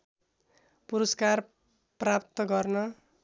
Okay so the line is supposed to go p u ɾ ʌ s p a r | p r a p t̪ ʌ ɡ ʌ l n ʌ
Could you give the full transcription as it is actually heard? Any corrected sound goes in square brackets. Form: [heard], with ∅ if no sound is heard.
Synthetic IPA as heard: p u ɾ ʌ s [k] a r | p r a p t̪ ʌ ɡ ʌ [r] n ʌ